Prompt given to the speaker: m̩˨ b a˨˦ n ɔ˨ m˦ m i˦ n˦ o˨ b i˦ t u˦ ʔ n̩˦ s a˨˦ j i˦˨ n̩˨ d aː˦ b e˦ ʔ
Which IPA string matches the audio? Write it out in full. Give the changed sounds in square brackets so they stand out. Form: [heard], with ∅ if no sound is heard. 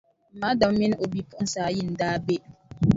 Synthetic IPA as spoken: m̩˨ [m] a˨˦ [d] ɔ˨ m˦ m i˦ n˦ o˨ b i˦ [p] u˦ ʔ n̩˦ s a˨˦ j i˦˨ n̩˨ d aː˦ b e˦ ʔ

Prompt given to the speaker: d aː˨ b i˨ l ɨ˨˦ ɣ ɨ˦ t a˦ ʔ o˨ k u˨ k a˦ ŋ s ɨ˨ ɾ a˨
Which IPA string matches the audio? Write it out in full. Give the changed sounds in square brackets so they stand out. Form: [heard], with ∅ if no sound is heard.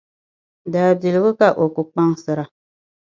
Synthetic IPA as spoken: d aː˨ b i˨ l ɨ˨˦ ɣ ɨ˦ [k] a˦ ʔ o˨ k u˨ [k͡p] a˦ ŋ s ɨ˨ ɾ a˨

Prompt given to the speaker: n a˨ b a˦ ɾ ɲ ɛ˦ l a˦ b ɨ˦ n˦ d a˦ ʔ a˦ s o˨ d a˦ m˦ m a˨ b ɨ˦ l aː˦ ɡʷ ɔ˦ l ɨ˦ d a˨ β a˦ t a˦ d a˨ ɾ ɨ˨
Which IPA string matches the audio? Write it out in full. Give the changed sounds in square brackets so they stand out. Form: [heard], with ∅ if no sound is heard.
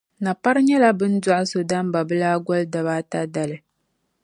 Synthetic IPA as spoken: n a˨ [p] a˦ ɾ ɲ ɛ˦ l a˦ b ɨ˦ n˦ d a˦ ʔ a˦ s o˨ d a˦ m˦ [b] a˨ b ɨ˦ l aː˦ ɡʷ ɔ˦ l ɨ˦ d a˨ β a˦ t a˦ d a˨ [l] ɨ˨

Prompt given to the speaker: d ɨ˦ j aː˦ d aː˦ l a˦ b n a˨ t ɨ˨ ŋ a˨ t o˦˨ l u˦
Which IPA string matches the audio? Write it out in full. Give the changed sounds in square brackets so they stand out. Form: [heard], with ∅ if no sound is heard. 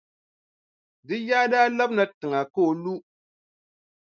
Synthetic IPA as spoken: d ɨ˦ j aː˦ d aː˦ l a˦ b n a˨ t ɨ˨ ŋ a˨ [k] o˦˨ l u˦

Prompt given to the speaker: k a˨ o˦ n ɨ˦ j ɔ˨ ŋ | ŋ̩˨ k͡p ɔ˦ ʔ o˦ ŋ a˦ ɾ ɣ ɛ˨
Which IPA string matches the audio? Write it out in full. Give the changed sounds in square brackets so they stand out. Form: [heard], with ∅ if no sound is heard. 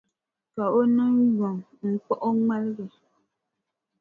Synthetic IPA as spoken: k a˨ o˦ n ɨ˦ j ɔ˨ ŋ | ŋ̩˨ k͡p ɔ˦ ʔ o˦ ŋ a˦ [l] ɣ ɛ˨

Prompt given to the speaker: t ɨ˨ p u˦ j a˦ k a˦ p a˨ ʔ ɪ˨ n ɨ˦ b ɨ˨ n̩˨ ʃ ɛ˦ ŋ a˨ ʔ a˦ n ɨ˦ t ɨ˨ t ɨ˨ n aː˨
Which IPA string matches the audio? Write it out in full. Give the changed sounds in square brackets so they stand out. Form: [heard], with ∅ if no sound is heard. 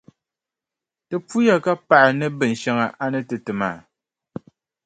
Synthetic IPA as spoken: t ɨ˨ p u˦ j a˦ k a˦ p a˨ ʔ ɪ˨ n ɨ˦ b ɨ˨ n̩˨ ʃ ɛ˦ ŋ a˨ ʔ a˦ n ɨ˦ t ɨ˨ t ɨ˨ [m] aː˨

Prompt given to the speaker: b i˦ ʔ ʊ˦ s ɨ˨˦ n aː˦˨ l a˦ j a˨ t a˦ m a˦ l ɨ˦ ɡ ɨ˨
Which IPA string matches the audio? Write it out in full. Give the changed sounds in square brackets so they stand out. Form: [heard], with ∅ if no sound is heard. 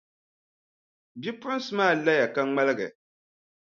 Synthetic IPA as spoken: b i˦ [p] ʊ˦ s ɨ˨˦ [m] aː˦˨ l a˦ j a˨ [k] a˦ [ŋ͡m] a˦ l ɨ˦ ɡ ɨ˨

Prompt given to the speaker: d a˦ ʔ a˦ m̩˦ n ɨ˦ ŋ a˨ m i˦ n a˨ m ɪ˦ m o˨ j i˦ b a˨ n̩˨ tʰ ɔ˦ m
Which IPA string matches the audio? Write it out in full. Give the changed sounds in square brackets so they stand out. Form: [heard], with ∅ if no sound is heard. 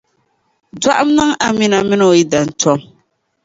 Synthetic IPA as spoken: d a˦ ʔ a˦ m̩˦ n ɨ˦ ŋ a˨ m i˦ n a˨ m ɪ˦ [n] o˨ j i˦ [d] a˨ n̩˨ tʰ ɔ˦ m

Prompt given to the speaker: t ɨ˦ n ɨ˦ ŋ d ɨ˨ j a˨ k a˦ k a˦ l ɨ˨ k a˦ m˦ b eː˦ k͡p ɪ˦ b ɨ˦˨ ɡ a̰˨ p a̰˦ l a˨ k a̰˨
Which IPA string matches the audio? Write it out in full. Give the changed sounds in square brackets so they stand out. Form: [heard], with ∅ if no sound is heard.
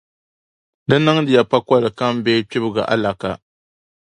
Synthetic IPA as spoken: [d] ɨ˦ n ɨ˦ ŋ d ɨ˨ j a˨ [p] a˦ k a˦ l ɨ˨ k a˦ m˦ b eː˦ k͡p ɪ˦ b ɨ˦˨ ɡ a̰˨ [ʔ] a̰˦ l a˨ k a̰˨

